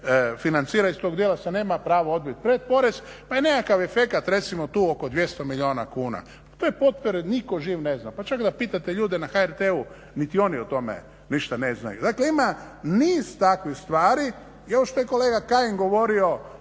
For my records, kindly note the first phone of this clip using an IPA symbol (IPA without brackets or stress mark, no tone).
f